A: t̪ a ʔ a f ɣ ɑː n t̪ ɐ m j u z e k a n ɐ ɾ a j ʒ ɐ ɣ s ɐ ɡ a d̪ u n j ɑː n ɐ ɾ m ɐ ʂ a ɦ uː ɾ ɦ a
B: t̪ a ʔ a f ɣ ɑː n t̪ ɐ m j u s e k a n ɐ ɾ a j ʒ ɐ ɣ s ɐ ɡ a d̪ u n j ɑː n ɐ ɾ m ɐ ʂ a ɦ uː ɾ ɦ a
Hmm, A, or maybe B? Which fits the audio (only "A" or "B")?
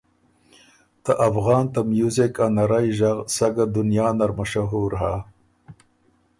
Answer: A